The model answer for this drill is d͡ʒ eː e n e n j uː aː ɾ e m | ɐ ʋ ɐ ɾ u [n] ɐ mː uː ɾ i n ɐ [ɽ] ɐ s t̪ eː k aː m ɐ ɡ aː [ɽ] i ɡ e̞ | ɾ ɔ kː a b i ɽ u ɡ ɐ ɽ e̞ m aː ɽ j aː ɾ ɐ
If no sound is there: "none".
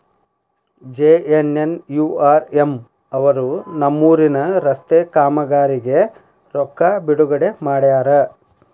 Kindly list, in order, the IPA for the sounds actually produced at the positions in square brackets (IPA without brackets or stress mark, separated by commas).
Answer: n, ɾ, ɾ